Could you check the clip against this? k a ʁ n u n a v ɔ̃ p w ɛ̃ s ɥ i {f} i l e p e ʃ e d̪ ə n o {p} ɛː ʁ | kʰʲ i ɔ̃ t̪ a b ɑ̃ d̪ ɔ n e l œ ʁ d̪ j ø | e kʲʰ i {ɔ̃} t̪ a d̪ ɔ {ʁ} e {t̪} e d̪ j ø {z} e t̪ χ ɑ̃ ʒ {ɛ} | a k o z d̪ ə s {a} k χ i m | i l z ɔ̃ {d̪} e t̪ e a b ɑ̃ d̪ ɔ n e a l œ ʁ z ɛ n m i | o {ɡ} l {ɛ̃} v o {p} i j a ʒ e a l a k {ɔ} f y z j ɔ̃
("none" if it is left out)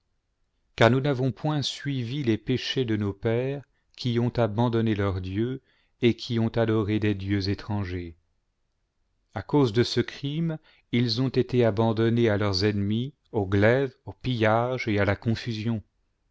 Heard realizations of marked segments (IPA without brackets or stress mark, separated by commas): v, p, ɔ̃, ʁ, d̪, z, e, ə, t̪, ɡ, ɛ, p, ɔ̃